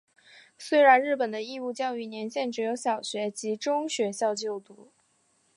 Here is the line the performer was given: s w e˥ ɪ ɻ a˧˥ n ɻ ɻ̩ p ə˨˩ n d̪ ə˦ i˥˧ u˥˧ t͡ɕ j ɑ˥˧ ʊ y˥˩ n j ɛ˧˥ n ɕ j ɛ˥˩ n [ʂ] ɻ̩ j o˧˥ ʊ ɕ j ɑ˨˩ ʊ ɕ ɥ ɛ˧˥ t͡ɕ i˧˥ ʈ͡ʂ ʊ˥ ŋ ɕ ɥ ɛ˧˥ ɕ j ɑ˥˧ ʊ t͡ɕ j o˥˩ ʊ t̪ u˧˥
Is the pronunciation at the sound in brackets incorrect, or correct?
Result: incorrect